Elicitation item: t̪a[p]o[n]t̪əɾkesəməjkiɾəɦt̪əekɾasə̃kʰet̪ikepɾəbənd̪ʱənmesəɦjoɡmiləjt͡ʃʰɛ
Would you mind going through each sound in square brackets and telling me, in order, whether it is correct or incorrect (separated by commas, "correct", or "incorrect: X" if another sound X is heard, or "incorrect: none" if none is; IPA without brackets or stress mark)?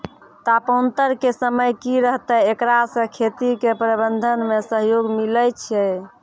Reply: correct, correct